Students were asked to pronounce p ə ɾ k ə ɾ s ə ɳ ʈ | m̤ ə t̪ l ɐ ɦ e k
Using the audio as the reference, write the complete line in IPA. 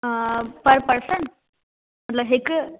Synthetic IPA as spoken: p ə ɾ p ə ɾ s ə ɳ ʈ | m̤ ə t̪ l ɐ ɦ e k